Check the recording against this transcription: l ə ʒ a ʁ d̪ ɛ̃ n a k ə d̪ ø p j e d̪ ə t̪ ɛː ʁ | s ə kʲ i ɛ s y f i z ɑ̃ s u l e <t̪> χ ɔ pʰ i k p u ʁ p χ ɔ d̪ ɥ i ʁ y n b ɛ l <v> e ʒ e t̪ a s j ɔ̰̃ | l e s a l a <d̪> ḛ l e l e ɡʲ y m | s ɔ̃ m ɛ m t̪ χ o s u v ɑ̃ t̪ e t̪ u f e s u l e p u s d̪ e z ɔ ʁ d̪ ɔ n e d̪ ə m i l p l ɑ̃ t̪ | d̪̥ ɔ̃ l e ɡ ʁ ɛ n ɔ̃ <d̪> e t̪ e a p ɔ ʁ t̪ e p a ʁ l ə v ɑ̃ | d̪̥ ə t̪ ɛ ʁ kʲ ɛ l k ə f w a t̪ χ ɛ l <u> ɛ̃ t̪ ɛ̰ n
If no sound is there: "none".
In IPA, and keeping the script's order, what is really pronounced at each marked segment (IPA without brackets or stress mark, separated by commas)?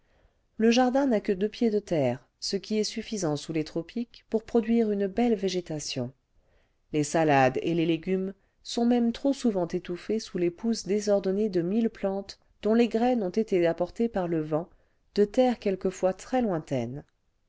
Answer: t̪, v, d̪, t̪, w